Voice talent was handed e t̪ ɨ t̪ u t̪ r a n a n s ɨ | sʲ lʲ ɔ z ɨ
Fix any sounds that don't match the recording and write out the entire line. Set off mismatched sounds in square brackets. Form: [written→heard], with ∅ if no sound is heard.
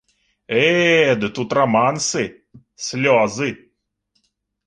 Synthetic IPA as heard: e [t̪→d̪] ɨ t̪ u t̪ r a [n→m] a n s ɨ | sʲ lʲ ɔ z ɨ